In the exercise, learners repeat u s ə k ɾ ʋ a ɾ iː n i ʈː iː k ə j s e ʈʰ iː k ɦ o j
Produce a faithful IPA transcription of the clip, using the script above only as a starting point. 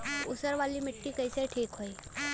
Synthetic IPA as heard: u s ə ɾ ʋ a l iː m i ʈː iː k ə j s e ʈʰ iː k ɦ o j